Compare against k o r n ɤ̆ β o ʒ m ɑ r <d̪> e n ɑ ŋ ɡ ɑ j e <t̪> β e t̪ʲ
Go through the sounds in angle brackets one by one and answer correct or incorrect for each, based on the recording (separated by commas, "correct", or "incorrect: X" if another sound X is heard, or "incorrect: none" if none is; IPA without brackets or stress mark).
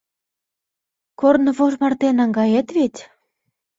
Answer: incorrect: t̪, correct